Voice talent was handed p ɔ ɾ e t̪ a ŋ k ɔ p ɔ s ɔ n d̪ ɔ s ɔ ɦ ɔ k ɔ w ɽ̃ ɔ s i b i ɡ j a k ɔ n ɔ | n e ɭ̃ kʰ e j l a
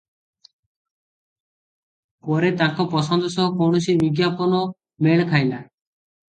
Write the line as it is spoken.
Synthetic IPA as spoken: p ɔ ɾ e t̪ a ŋ k ɔ p ɔ s ɔ n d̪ ɔ s ɔ ɦ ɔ k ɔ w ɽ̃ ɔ s i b i ɡ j a p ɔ n ɔ | m e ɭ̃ kʰ a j l a